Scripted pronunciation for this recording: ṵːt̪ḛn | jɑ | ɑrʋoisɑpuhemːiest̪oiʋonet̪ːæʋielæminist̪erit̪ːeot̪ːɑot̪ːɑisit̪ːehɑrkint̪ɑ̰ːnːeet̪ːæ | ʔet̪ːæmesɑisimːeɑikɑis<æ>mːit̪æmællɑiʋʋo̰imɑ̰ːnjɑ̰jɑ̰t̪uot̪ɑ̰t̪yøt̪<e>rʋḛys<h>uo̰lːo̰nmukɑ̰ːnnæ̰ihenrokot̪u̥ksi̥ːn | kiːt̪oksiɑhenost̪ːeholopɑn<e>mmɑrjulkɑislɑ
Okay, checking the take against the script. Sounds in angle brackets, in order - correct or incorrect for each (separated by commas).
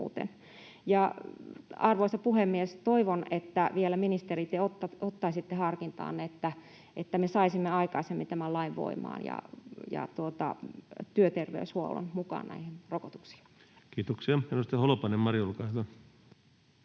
incorrect, correct, correct, correct